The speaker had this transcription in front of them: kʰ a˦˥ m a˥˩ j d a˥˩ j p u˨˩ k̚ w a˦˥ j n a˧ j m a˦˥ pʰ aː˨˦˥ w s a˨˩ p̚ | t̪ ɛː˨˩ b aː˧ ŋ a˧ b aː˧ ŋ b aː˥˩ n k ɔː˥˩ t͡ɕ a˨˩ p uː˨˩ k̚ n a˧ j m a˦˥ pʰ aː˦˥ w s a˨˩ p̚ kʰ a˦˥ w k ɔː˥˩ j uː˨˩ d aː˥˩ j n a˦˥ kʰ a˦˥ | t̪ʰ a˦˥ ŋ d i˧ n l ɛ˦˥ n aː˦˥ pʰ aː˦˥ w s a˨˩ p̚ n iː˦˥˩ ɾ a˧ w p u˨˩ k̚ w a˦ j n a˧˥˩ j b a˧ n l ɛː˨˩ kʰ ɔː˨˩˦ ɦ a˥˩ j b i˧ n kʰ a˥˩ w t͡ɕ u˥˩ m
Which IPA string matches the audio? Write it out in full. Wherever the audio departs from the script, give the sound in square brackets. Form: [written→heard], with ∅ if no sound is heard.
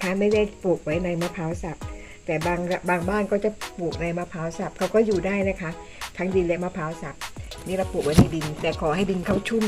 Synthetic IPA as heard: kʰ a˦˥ m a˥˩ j d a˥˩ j p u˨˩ k̚ w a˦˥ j n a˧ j m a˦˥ pʰ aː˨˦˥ w s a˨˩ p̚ | t̪ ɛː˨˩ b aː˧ ŋ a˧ b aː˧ ŋ b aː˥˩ n k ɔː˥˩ t͡ɕ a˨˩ p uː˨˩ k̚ n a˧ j m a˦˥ pʰ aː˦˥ w s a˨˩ p̚ kʰ a˦˥ w k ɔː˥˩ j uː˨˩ d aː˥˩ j n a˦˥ kʰ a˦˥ | t̪ʰ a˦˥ ŋ d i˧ n l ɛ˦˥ [n→m] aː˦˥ pʰ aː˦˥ w s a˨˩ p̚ n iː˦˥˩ ɾ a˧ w p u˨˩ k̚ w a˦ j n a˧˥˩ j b [a˧→i˧] n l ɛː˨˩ kʰ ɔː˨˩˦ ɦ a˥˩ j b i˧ n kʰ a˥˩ w [t͡ɕ→t͡ɕʰ] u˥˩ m